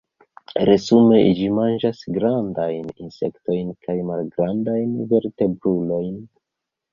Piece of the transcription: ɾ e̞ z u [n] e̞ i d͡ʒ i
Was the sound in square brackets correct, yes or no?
no